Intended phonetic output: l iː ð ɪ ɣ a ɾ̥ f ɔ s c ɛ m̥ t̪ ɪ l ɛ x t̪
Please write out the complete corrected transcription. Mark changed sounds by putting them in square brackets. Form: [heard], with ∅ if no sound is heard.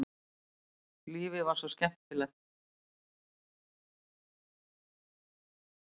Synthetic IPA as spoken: l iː [v] ɪ [v] a ɾ̥ [s] ɔ s c ɛ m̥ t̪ ɪ l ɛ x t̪